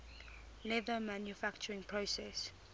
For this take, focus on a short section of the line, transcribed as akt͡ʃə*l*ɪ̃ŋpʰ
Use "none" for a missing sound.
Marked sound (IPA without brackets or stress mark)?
ɹ